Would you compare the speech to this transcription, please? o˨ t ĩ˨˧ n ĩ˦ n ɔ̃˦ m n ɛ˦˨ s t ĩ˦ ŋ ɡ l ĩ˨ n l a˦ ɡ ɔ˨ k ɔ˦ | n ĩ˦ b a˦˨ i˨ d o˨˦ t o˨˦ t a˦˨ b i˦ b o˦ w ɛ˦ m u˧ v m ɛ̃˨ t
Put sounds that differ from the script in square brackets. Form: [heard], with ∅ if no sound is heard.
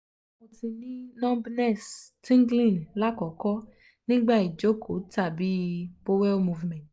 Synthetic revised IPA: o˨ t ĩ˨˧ n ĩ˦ n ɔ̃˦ [b] n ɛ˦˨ s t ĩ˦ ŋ ɡ l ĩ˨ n l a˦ [k] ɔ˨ k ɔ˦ | n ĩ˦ [ɡ͡b] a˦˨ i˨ [d͡ʒ] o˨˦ [k] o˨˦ t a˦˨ b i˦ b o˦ w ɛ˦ m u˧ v m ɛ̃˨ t